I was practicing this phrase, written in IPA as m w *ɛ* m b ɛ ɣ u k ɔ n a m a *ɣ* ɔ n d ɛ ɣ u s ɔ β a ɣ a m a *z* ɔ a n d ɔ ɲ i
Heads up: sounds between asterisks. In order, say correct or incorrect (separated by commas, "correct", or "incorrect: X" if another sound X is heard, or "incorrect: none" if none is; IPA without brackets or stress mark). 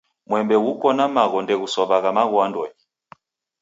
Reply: correct, correct, incorrect: ɣ